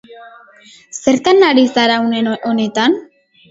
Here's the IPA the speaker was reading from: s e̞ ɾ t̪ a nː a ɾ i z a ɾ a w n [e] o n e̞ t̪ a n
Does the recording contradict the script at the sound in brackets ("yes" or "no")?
no